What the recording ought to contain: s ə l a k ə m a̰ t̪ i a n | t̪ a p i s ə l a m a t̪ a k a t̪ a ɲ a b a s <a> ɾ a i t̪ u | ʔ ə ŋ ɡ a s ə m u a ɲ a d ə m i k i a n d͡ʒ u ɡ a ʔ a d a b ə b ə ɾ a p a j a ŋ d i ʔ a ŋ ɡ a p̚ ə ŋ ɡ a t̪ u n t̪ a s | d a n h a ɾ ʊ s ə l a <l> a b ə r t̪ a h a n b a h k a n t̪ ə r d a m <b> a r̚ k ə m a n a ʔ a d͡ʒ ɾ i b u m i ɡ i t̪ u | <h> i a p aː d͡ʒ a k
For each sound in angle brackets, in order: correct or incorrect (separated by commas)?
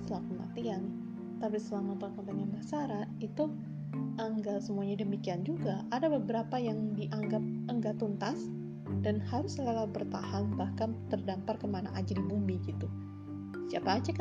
correct, correct, incorrect, incorrect